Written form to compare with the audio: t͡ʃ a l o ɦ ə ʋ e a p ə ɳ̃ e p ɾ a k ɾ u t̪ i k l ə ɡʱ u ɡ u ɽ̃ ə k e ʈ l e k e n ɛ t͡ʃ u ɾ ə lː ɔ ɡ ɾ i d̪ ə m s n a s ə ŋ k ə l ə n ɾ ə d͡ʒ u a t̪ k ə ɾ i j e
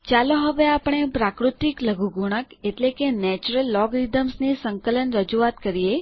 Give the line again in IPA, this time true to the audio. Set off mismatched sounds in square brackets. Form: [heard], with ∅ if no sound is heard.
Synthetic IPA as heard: t͡ʃ a l o ɦ ə ʋ e a p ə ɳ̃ e p ɾ a k ɾ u t̪ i k l ə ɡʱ u ɡ u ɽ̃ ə k e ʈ l e k e n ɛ t͡ʃ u ɾ ə lː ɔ ɡ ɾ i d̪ ə m s n [i] s ə ŋ k ə l ə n ɾ ə d͡ʒ u a t̪ k ə ɾ i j e